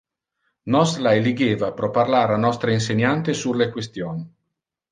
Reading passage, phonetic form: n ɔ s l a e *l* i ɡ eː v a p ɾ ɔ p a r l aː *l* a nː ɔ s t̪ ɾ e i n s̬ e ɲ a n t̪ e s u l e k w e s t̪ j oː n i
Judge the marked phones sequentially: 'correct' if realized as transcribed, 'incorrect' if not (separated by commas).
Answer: correct, incorrect